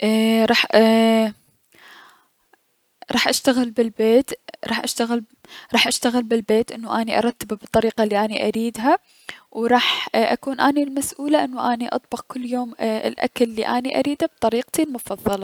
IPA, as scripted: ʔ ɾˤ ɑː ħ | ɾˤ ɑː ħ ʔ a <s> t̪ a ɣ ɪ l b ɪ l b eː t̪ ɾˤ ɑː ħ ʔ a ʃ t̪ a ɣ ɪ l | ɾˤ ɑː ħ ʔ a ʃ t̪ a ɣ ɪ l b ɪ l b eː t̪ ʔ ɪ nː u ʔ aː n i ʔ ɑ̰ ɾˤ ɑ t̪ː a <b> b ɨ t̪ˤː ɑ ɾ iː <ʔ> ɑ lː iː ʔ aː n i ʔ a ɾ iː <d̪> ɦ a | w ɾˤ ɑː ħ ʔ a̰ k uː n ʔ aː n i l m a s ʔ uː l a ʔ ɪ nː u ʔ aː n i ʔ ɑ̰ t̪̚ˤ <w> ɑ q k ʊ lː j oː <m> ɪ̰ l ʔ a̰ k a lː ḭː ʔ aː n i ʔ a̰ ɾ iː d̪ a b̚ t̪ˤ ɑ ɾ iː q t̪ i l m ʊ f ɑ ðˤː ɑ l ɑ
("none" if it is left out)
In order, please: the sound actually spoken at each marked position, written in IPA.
ʃ, b, q, d̪, b, m

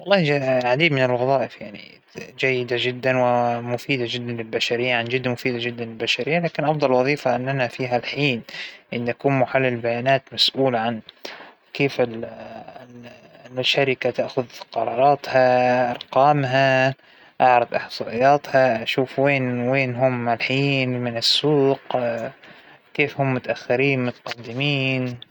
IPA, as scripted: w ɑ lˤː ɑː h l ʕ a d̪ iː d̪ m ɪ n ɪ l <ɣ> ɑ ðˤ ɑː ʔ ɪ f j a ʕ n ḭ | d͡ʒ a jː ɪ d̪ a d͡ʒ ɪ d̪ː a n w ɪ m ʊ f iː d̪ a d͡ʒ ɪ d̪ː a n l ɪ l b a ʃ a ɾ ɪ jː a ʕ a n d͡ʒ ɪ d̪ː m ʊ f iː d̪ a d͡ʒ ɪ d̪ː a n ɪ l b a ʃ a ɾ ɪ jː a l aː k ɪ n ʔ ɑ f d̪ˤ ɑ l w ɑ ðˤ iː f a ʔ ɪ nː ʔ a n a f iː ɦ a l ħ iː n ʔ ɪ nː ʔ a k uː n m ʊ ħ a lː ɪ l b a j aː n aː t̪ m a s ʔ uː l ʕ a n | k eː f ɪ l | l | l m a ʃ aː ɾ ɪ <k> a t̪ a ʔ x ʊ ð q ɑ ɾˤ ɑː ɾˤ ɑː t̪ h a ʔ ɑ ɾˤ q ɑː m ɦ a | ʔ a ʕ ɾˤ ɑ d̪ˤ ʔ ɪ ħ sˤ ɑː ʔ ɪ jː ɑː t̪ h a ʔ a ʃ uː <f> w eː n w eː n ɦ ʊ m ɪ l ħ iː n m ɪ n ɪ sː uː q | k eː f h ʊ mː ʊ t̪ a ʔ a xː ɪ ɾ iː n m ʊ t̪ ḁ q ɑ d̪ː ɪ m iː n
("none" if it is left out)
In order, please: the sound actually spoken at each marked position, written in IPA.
ɣ, k, f

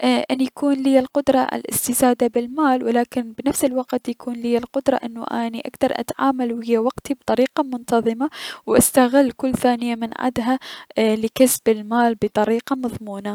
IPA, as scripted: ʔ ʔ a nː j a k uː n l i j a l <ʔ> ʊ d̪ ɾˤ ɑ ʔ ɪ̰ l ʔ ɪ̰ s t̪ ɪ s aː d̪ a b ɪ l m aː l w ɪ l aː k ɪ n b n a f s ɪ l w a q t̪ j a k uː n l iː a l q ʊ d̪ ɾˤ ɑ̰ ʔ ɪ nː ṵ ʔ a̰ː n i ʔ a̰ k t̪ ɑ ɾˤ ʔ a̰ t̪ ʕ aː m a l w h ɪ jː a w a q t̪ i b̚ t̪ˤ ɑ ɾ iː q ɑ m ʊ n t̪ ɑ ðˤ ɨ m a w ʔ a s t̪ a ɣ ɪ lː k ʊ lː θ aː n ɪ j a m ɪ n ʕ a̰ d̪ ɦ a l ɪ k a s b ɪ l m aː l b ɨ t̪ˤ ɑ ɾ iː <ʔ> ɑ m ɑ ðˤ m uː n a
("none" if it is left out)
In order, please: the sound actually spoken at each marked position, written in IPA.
q, q

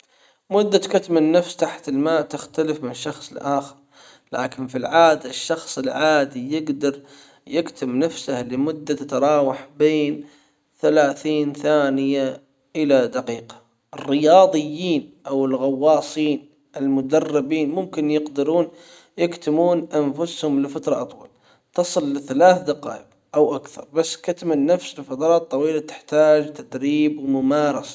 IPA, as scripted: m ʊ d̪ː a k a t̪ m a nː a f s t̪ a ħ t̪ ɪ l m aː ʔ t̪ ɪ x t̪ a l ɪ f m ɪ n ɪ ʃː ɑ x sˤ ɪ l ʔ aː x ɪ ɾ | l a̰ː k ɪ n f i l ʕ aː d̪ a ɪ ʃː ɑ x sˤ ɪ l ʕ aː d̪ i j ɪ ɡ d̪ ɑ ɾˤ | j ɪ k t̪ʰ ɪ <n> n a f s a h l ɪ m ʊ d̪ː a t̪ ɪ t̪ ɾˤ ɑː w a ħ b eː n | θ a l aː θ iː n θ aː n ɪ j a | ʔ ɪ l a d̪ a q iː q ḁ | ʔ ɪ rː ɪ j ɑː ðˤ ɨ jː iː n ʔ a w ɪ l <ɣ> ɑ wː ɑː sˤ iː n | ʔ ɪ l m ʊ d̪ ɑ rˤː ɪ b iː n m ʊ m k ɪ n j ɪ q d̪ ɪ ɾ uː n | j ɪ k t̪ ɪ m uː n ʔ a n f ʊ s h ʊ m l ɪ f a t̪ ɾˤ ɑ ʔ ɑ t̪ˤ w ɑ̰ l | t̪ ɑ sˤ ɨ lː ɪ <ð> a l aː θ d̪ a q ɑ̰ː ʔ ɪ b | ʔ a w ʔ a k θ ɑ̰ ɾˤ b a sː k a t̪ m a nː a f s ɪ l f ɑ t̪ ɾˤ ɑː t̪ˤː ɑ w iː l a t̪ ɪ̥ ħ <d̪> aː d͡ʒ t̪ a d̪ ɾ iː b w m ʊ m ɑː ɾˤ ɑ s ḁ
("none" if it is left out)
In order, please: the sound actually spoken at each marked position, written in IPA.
m, ɣ, θ, t̪

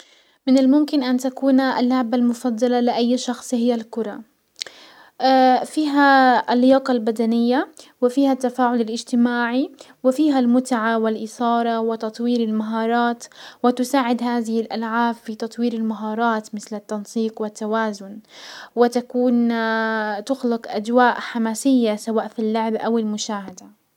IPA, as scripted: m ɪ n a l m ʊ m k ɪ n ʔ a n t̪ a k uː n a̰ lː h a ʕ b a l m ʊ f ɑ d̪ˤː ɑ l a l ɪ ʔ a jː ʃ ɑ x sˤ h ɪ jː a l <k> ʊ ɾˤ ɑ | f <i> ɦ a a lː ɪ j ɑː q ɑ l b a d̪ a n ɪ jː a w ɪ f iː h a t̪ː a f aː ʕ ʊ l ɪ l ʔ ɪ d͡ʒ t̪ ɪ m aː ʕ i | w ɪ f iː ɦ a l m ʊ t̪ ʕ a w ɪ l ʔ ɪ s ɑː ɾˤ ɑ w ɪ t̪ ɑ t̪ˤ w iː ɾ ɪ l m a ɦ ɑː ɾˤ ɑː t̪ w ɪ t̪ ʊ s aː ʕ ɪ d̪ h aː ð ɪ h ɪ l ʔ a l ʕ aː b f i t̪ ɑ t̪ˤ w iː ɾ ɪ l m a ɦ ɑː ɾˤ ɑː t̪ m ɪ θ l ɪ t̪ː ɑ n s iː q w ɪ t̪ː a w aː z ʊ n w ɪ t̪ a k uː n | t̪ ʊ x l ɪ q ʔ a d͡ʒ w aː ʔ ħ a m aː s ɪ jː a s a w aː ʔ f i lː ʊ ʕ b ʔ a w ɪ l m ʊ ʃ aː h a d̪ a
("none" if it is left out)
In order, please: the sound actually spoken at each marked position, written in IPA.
k, iː

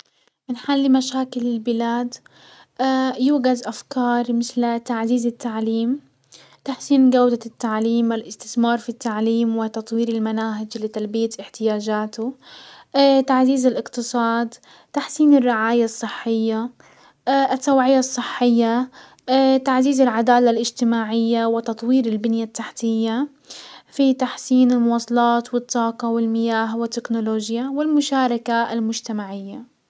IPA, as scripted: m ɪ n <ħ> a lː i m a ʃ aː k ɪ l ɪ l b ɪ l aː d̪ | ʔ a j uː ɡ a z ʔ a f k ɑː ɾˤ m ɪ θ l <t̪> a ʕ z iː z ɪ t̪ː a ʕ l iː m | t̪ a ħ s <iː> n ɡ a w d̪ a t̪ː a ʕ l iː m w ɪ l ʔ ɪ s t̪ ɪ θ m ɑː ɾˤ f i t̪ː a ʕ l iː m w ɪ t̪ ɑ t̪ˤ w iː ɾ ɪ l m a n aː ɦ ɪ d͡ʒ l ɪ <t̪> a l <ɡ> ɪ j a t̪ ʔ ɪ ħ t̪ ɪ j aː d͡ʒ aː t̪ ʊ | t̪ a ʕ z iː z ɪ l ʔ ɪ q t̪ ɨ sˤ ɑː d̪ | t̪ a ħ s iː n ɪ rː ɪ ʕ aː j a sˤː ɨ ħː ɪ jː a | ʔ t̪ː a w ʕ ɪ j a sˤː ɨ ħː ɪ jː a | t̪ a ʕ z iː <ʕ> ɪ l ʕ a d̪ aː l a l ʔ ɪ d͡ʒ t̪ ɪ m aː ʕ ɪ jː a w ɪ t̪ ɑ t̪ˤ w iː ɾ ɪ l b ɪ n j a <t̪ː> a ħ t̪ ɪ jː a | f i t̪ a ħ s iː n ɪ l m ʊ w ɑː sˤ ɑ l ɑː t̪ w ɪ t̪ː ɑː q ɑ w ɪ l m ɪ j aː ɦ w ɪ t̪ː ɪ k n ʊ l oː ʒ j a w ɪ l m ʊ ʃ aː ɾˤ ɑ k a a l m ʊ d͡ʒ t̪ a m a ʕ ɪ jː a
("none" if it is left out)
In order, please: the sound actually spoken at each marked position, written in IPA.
ħ, t̪, iː, t̪, b, z, t̪ː

